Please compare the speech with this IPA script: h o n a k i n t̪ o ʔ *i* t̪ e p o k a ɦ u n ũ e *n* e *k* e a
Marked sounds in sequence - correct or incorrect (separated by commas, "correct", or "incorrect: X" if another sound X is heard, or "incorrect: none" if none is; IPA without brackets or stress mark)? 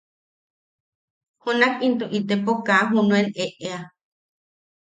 correct, correct, incorrect: ʔ